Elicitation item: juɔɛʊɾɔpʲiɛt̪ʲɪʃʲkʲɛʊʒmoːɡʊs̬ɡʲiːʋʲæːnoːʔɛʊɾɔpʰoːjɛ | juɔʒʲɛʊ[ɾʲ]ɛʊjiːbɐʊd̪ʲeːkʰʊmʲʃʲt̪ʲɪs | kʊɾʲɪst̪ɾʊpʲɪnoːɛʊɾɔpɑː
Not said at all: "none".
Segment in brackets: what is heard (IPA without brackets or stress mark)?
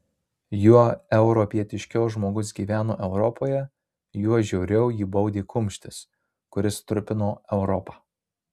ɾʲ